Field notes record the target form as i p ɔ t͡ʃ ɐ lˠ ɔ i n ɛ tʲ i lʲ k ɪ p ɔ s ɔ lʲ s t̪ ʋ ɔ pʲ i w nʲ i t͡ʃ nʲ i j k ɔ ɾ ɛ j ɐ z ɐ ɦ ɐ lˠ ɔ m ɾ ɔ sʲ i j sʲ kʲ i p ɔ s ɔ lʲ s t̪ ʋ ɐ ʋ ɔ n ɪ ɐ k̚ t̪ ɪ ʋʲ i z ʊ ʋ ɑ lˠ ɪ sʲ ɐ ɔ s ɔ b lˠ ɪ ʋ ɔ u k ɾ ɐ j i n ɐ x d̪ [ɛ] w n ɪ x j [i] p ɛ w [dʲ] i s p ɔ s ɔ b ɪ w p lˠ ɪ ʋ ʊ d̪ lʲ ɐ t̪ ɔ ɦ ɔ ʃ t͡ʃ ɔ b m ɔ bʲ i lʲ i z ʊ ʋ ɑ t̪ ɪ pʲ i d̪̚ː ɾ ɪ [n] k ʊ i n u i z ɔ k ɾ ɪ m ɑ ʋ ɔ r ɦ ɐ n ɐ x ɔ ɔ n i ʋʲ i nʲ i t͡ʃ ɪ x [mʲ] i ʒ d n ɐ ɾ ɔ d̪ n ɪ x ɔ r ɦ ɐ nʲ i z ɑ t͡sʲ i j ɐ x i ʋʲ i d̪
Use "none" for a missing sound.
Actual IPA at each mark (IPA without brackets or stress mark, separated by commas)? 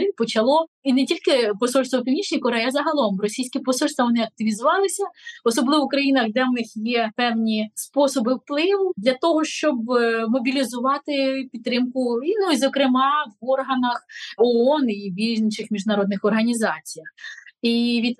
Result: ɛ, ɛ, nʲ, m, mʲ